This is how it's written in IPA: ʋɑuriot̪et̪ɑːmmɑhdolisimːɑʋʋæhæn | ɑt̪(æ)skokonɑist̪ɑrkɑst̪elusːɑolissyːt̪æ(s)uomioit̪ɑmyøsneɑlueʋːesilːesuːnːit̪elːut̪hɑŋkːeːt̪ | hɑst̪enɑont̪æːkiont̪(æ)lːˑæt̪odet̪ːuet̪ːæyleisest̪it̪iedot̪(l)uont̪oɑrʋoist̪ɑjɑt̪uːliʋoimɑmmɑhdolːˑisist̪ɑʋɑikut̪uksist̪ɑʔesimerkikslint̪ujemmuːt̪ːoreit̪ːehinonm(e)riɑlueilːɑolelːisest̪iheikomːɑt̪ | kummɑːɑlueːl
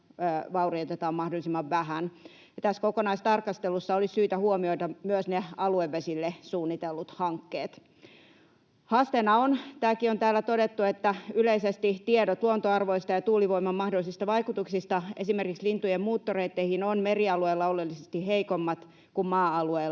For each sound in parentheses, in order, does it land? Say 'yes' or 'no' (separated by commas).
yes, no, no, yes, yes